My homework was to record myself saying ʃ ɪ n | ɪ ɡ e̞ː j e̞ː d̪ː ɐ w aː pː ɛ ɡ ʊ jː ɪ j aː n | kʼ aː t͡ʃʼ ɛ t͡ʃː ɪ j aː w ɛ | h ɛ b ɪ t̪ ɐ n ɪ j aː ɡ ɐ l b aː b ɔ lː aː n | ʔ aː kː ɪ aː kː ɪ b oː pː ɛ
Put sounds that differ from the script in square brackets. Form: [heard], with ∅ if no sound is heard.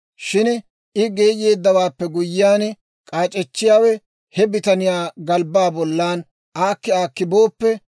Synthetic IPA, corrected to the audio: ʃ ɪ n | ɪ ɡ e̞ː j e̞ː d̪ː ɐ w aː pː ɛ ɡ ʊ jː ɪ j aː n | kʼ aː t͡ʃʼ ɛ t͡ʃː ɪ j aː w ɛ | h ɛ b ɪ t̪ ɐ n ɪ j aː ɡ ɐ l b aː b ɔ lː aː n | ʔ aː kː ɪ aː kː ɪ b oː pː ɛ